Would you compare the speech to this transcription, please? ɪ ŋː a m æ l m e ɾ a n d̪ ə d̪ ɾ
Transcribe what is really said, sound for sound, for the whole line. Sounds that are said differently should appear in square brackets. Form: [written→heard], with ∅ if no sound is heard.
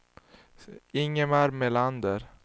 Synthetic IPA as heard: ɪ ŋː [a→ə] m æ [l→ɾ] m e [ɾ→l] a n d̪ ə [d̪→∅] ɾ